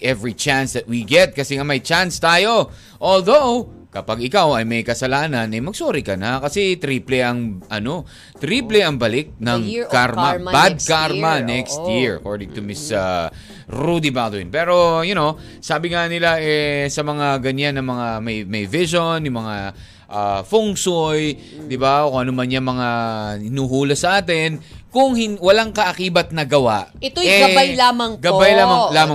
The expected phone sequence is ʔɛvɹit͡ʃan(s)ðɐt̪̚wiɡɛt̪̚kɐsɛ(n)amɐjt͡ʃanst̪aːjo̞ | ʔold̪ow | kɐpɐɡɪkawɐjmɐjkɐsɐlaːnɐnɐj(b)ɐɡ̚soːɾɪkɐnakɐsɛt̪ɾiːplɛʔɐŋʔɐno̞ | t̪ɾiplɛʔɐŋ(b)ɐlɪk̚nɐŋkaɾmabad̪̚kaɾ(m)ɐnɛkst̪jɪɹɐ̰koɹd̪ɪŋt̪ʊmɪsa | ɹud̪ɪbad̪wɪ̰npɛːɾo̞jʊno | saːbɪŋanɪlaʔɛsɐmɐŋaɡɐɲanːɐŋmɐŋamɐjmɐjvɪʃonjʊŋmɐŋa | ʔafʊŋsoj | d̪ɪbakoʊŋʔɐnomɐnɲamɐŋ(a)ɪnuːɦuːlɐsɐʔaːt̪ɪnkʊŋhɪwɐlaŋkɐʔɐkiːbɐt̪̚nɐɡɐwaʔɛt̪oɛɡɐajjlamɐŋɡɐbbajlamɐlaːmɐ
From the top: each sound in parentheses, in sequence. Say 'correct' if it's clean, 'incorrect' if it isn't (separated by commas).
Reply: correct, incorrect, incorrect, correct, correct, correct